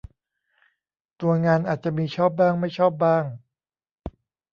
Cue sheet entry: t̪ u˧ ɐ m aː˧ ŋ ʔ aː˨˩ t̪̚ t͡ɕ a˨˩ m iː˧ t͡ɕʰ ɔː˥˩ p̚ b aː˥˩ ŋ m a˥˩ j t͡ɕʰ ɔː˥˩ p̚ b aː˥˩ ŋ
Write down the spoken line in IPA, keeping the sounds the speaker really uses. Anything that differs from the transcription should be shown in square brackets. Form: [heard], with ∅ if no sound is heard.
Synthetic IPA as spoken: t̪ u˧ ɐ [ŋ] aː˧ [n] ʔ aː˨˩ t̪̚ t͡ɕ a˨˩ m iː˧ t͡ɕʰ ɔː˥˩ p̚ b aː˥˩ ŋ m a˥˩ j t͡ɕʰ ɔː˥˩ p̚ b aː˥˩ ŋ